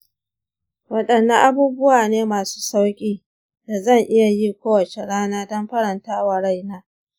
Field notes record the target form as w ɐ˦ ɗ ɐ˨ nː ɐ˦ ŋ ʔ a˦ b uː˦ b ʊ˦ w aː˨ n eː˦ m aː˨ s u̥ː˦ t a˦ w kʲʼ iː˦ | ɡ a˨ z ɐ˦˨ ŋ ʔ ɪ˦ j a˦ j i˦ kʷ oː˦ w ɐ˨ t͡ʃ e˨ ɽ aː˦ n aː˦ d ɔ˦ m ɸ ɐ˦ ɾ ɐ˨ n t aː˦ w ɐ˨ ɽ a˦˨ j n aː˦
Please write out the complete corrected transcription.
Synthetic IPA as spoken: w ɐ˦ ɗ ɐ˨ nː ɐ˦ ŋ ʔ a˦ b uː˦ b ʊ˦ w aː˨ n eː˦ m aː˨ s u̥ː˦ s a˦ w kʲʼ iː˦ | d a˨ z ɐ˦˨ ŋ ʔ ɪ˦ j a˨ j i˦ kʷ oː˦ w ɐ˨ t͡ʃ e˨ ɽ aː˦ n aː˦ d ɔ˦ m ɸ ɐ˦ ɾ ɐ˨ n t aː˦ w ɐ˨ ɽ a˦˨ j n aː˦

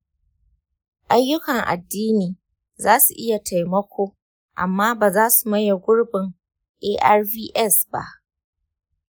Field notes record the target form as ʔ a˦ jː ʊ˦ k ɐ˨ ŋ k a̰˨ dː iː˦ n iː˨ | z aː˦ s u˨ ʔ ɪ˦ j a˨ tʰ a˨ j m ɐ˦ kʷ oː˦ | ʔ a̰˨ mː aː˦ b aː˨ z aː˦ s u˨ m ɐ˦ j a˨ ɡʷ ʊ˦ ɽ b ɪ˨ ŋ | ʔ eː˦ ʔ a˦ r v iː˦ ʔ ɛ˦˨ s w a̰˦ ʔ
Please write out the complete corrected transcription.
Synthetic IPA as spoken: ʔ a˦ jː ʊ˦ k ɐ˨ ŋ ʔ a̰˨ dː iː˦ n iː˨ | z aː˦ s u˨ ʔ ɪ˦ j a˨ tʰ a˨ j m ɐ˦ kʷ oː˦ | ʔ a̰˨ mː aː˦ b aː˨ z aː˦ s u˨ m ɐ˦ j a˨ ɡʷ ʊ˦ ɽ b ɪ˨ ŋ | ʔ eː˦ ʔ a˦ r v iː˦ ʔ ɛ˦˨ s b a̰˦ ʔ

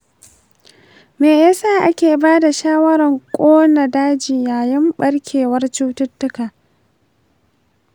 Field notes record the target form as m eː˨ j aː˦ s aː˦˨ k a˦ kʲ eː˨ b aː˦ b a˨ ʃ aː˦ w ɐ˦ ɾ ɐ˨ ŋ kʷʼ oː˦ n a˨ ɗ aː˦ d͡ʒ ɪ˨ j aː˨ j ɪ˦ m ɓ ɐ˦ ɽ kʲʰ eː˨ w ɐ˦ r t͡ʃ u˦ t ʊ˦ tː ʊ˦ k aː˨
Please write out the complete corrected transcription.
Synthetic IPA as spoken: m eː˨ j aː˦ s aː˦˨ ʔ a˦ kʲ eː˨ b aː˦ d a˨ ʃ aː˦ w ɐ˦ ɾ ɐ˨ ŋ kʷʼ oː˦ n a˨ d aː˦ d͡ʒ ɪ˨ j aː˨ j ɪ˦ m ɓ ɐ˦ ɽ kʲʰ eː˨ w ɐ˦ r t͡ʃ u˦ t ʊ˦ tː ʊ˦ k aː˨

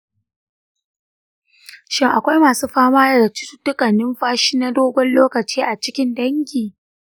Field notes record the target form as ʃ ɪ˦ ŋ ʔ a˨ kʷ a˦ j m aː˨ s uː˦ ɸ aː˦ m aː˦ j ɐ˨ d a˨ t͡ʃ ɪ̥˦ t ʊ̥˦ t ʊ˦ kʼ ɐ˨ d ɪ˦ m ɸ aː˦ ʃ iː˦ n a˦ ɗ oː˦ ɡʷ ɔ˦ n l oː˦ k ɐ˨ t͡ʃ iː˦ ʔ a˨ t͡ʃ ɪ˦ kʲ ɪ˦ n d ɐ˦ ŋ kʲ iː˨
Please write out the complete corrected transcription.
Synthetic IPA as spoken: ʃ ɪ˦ ŋ ʔ a˨ kʷ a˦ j m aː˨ s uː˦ ɸ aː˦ m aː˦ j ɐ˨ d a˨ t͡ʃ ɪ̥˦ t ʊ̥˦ t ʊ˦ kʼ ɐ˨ n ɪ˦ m ɸ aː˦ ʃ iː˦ n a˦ d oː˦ ɡʷ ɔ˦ n l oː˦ k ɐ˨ t͡ʃ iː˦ ʔ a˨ t͡ʃ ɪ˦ kʲ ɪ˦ n d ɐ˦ ŋ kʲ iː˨

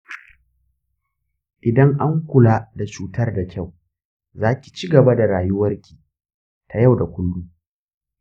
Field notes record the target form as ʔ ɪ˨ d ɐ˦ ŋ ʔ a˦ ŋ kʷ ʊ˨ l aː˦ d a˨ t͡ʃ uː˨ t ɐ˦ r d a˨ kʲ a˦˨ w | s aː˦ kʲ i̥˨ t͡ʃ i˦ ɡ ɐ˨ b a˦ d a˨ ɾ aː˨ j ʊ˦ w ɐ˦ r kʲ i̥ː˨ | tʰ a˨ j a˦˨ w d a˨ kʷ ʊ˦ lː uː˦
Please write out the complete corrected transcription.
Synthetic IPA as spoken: ʔ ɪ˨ d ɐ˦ ŋ ʔ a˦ ŋ kʷ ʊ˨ l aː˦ d a˨ t͡ʃ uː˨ t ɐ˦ r d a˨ kʲ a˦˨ w | z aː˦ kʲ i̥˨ t͡ʃ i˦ ɡ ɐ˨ b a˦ d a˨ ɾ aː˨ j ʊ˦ w ɐ˦ r kʲ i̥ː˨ | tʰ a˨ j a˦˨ w d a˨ kʷ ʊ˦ lː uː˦

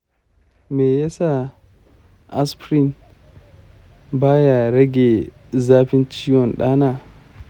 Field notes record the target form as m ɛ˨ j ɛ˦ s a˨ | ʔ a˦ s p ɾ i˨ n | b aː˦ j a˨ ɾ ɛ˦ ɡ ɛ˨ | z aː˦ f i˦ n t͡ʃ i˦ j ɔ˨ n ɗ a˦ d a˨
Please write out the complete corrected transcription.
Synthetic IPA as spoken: m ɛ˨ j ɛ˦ s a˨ | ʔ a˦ s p ɾ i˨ n | b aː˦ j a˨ ɾ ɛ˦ ɡ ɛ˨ | z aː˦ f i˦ n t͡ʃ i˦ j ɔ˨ n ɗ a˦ n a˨

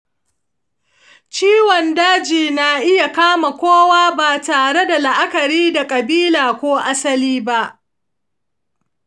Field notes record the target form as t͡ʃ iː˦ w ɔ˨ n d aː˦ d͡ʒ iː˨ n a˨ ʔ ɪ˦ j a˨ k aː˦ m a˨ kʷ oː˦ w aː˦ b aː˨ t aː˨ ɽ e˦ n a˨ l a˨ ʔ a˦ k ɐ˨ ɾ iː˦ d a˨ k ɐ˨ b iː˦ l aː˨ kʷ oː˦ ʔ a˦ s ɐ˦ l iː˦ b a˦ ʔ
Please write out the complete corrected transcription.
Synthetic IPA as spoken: t͡ʃ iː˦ w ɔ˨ n d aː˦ d͡ʒ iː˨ n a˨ ʔ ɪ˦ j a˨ k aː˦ m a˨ kʷ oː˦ w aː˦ b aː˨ t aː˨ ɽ e˦ d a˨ l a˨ ʔ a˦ k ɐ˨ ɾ iː˦ d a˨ kʼ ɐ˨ b iː˦ l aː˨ kʷ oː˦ ʔ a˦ s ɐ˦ l iː˦ b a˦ ʔ

